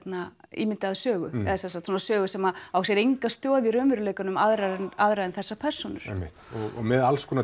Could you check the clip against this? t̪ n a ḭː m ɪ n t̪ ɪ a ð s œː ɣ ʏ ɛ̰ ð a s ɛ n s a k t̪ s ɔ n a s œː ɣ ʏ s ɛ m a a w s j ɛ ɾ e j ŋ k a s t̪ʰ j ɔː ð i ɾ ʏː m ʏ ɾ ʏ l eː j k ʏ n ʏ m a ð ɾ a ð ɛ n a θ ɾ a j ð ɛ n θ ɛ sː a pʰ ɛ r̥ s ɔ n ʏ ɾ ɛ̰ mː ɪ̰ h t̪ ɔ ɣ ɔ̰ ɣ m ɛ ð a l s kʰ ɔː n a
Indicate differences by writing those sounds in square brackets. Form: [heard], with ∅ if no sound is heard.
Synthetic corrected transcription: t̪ n a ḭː m ɪ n t̪ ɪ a ð s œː ɣ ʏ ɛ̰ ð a s ɛ n s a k t̪ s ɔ n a s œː ɣ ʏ s ɛ m a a w s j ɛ ɾ e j ŋ k a s [t̪] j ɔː ð i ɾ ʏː m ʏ ɾ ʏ l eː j k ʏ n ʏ m a ð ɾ a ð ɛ n a [ð] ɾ a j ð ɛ n θ ɛ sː a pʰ ɛ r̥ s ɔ n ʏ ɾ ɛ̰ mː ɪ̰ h t̪ ɔ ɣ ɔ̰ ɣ m ɛ ð a l s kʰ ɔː n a